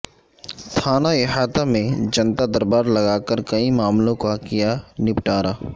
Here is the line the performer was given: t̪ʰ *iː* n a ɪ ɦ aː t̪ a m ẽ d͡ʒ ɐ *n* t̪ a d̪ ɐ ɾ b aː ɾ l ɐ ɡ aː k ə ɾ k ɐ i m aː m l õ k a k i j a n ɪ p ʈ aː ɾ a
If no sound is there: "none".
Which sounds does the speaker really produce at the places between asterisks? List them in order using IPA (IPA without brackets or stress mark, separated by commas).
aː, n